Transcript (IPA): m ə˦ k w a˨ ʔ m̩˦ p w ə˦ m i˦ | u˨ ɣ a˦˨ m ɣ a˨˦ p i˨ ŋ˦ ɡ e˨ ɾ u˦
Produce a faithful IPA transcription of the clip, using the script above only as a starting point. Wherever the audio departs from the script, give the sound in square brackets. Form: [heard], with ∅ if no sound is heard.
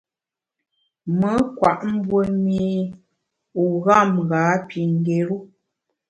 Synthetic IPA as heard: m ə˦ k w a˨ ʔ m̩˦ [b] w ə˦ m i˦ | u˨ ɣ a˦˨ m ɣ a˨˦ p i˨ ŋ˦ ɡ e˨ ɾ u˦